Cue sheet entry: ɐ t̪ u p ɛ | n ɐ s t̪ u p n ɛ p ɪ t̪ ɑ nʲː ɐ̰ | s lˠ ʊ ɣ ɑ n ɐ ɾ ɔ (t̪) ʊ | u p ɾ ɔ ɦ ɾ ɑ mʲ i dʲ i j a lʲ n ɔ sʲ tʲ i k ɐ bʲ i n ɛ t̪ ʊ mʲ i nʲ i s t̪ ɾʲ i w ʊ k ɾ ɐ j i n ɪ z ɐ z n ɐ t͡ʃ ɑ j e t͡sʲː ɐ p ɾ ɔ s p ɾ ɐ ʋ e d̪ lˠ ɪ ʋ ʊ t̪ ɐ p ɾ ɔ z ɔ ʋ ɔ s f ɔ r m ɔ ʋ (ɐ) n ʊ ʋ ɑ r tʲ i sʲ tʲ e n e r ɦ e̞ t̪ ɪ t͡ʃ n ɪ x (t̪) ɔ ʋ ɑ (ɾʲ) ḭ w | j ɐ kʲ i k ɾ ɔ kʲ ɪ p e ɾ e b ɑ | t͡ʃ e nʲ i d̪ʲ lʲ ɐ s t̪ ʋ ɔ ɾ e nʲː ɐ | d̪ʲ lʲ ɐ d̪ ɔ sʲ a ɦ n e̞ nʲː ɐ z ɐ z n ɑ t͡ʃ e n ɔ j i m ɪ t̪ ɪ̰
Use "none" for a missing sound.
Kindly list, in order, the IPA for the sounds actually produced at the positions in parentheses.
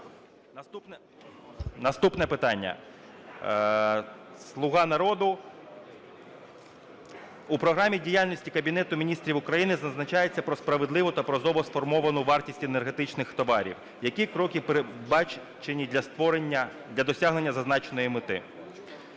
d̪, ɐ, t̪, ɾʲ

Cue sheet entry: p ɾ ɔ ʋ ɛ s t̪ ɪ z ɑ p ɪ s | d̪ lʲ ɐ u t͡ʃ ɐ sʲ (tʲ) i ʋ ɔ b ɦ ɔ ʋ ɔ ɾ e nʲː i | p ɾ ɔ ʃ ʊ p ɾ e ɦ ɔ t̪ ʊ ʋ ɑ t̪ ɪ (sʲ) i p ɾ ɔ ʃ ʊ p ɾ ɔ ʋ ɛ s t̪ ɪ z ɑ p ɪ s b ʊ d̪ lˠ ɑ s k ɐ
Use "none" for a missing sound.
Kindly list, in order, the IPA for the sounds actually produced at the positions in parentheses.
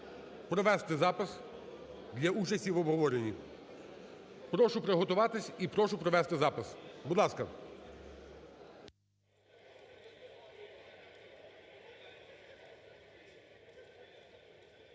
tʲ, sʲ

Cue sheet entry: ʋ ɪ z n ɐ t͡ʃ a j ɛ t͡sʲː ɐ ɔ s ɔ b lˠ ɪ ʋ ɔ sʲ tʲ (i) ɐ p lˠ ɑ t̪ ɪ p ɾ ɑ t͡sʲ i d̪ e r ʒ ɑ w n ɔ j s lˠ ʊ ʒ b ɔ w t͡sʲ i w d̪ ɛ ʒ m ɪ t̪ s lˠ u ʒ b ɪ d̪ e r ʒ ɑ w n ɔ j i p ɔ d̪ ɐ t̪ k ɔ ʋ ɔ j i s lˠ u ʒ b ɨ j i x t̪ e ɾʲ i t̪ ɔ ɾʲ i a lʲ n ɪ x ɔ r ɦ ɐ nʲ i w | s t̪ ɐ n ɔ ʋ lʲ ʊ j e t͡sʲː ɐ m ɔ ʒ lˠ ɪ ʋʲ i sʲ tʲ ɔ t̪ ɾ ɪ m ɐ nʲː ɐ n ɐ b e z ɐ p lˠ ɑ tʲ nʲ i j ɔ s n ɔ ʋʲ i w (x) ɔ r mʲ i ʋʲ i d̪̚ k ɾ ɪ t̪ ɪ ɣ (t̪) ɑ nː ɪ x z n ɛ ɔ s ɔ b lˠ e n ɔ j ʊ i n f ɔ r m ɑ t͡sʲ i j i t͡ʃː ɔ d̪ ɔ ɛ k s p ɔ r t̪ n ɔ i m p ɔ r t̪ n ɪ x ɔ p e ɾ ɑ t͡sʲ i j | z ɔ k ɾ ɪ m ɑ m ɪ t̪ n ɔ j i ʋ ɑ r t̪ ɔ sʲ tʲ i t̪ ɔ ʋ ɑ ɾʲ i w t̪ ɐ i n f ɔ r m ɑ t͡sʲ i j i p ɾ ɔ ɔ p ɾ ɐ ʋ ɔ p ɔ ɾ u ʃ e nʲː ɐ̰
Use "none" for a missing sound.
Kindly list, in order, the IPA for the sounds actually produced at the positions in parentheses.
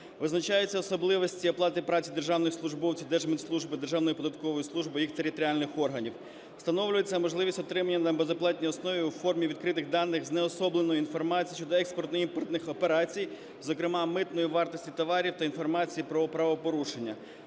i, f, d̪

